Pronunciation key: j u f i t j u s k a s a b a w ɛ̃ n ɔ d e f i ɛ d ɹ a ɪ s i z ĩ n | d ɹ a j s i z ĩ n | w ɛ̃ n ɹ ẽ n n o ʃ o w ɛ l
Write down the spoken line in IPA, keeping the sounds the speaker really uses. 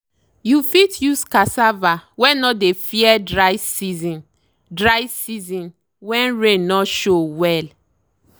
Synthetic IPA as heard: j u f i t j u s k a s a v a w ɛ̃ n ɔ d e f i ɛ d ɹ a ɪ s i z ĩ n | d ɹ a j s i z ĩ n | w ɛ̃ n ɹ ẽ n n ɔ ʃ o w ɛ l